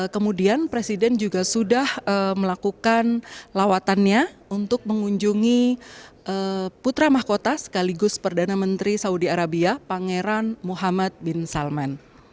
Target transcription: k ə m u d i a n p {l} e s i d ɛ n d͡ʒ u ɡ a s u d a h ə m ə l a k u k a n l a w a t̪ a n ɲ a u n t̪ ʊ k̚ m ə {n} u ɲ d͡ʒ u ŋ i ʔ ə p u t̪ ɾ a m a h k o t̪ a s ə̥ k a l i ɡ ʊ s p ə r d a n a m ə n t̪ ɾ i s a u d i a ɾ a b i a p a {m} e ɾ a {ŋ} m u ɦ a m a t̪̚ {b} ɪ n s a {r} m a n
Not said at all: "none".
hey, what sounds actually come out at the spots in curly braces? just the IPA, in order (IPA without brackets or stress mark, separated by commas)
ɾ, ŋ, ŋ, n, b, l